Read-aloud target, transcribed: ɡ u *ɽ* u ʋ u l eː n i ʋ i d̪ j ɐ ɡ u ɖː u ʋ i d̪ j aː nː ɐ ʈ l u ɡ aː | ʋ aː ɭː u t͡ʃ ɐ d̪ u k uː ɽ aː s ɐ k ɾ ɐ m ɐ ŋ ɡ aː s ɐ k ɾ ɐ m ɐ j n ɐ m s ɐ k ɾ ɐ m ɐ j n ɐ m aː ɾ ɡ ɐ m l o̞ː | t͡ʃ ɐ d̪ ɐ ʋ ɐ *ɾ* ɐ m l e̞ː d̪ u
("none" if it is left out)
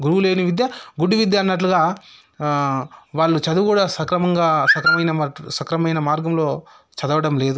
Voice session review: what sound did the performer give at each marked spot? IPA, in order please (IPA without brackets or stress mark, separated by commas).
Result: ɾ, ɽ